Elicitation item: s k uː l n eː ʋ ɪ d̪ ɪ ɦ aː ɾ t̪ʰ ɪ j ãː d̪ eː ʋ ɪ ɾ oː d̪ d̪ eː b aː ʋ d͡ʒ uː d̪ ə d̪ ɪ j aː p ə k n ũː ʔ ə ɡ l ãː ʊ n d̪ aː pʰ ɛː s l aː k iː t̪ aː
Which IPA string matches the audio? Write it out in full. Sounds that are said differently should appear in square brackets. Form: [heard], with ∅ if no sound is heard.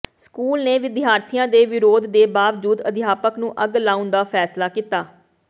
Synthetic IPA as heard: s k uː l n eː ʋ ɪ d̪ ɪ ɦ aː ɾ t̪ʰ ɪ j ãː d̪ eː ʋ ɪ ɾ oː d̪ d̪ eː b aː ʋ d͡ʒ uː d̪ ə d̪ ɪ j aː p ə k n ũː ʔ ə ɡ l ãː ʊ n d̪ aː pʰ ɛː s l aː k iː t̪ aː